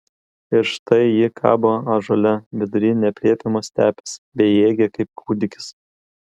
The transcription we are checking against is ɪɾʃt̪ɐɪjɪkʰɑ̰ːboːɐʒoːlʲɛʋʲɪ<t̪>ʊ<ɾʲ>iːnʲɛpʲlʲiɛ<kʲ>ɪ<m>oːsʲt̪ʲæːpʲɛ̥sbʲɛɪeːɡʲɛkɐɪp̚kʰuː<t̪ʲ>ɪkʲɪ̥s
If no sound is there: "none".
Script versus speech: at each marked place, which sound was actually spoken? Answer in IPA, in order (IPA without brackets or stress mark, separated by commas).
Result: d̪, ɾʲ, pʲ, m, d̪ʲ